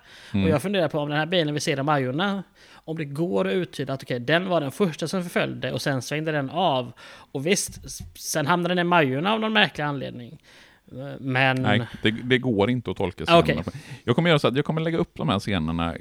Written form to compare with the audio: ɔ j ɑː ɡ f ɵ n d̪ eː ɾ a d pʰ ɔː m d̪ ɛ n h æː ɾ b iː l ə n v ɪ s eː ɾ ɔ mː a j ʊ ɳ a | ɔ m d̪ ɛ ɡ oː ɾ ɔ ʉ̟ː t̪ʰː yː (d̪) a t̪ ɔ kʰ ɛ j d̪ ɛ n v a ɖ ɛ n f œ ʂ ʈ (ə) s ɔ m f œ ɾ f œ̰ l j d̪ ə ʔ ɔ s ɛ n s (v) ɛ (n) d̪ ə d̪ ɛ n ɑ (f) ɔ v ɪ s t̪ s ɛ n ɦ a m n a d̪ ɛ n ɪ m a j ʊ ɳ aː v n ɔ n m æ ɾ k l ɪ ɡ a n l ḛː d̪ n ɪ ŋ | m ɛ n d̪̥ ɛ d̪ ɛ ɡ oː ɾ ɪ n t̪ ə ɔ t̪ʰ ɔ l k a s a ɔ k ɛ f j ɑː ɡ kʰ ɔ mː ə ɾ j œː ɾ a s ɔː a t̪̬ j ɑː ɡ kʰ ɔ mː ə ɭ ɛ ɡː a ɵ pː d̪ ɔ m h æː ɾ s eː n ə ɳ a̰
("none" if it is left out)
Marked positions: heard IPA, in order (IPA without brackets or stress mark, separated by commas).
d̪, a, v, ŋ, v